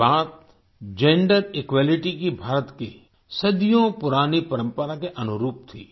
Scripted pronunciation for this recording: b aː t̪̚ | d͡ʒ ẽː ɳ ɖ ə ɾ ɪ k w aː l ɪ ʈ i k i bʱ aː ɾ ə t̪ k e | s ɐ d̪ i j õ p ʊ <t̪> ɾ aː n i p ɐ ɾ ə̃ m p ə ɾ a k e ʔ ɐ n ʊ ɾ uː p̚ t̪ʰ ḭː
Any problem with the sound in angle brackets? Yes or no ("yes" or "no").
yes